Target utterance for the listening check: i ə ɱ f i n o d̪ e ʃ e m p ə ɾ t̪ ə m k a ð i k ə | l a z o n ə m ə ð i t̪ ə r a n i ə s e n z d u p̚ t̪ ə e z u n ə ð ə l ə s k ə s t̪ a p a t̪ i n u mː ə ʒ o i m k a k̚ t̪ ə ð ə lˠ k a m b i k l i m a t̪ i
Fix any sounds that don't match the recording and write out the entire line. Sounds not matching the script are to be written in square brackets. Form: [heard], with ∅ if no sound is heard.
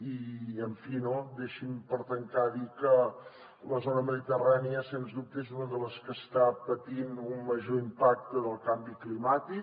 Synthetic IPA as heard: i ə ɱ f i n o d̪ e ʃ [i] m p ə ɾ t̪ ə [ŋ] k a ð i k ə | l [ə] z o n ə m ə ð i t̪ ə r a n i ə s e n z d u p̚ t̪ ə e z u n ə ð ə l ə s k ə s t̪ a p [ə] t̪ i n u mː ə ʒ o i m [p] a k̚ t̪ ə ð ə lˠ k a m b i k l i m a t̪ i